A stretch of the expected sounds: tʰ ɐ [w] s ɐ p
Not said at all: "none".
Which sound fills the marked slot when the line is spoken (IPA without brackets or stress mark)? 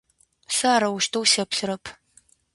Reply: w